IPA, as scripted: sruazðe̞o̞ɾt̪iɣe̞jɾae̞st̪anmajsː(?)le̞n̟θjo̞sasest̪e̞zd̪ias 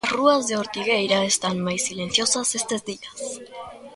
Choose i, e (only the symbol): i